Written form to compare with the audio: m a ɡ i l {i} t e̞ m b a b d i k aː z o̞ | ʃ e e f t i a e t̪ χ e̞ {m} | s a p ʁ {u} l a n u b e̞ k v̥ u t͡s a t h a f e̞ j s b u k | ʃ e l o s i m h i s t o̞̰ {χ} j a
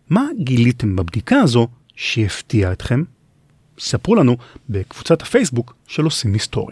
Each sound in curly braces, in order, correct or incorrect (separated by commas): correct, correct, correct, incorrect